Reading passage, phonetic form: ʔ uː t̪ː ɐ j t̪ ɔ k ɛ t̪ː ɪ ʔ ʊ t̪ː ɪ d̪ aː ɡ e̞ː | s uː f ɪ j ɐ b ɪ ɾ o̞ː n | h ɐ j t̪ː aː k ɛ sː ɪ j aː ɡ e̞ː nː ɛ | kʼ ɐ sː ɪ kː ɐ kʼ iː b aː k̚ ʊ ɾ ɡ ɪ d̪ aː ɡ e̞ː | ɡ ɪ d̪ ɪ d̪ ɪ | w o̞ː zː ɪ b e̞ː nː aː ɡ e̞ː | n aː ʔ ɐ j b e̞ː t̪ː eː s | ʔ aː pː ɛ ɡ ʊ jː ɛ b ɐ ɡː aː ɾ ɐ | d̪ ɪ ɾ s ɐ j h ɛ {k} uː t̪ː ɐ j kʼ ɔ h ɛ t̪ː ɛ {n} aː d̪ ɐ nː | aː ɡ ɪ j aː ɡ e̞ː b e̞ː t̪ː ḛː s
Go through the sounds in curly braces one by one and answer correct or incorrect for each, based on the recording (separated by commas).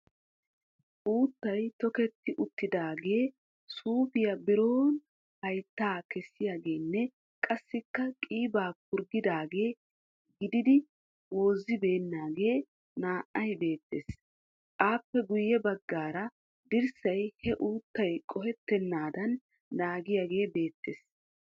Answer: incorrect, incorrect